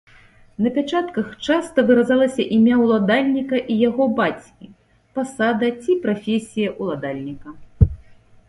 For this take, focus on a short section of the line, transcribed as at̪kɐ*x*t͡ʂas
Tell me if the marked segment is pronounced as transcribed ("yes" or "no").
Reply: yes